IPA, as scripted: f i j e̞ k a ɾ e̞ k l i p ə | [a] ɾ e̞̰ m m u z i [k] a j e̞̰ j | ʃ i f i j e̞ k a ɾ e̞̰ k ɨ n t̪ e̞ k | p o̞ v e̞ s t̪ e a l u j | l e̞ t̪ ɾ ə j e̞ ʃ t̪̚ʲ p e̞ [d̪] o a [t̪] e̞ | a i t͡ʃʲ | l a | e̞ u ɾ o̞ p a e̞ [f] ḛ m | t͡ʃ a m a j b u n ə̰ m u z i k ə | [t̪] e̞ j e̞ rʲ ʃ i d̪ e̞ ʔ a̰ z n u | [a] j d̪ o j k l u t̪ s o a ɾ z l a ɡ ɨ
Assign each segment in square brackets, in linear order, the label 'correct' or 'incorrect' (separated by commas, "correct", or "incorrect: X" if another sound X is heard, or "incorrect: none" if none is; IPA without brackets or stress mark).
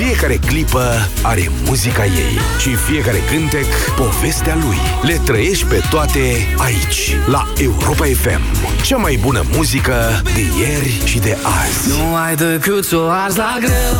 correct, correct, incorrect: t̪, correct, correct, incorrect: d̪, correct